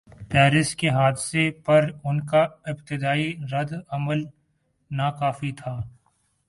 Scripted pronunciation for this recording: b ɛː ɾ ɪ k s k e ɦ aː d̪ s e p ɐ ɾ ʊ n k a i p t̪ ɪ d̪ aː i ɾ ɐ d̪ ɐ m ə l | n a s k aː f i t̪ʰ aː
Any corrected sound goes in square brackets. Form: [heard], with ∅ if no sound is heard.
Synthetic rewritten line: [p] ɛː ɾ ɪ [∅] s k e ɦ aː d̪ s e p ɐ ɾ ʊ n k a [ɪ] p t̪ ɪ d̪ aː i ɾ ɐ d̪ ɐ m ə l | n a [∅] k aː f i t̪ʰ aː